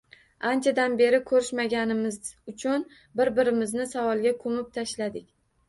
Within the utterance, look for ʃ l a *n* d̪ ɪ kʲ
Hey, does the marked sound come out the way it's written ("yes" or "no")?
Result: no